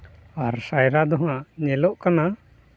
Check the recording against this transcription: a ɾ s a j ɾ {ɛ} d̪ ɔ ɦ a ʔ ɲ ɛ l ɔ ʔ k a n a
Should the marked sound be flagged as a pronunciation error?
yes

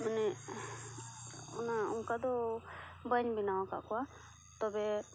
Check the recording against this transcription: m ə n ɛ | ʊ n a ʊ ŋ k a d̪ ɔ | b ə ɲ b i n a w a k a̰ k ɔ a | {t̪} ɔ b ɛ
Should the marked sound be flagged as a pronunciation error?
no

